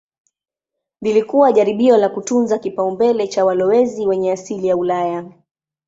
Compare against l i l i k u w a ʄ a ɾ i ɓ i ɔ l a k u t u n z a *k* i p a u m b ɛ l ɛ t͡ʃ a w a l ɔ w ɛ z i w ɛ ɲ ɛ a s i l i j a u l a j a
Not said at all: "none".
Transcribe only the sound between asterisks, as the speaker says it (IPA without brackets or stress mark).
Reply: k